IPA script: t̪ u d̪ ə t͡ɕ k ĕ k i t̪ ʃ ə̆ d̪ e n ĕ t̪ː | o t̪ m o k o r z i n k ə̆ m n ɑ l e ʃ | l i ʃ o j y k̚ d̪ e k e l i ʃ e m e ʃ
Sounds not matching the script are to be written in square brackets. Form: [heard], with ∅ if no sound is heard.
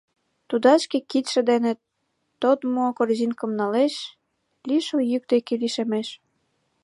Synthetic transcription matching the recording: t̪ u d̪ [ɑ] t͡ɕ k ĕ k i t̪ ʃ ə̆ d̪ e n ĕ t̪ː | o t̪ m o k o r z i n k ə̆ m n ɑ l e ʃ | l i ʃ o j y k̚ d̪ e k e l i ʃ e m e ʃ